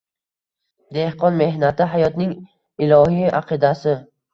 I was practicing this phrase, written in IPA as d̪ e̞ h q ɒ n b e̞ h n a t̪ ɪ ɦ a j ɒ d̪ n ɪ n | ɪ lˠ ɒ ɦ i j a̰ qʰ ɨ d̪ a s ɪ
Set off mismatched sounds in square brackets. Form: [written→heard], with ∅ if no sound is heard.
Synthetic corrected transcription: d̪ e̞ h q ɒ n [b→m] e̞ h n a t̪ ɪ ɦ a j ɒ [d̪→t̪] n ɪ [n→ŋ] | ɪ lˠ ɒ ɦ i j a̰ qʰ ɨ d̪ a s ɪ